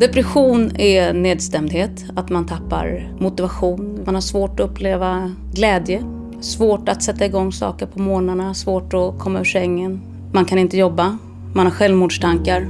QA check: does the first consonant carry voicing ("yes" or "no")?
yes